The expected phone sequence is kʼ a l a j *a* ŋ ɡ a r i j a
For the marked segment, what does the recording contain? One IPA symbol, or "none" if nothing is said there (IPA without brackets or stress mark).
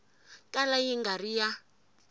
i